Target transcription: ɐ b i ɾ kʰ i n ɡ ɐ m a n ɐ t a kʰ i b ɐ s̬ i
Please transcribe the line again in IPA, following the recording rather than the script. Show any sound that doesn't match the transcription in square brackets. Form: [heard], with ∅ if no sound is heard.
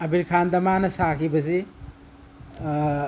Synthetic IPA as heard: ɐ b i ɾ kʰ [a] n [d] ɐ m a n ɐ [s] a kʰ i b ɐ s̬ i